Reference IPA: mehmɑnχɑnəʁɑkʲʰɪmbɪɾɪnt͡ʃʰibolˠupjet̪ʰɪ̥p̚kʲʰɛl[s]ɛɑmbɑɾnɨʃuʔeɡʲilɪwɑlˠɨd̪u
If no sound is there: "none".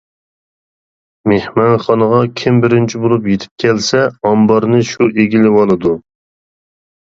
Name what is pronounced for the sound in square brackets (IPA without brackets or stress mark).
s